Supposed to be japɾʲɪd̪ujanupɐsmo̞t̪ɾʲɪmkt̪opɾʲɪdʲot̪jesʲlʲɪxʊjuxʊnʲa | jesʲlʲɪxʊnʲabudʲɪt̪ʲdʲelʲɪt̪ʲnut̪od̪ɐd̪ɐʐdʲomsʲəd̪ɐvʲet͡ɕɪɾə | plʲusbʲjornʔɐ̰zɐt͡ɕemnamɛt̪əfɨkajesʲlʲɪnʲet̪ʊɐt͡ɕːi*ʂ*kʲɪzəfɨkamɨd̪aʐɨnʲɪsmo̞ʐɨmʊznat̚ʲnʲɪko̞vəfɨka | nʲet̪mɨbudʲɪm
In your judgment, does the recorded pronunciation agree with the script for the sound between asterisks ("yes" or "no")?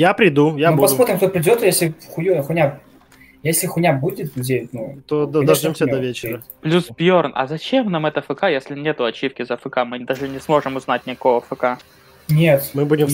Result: no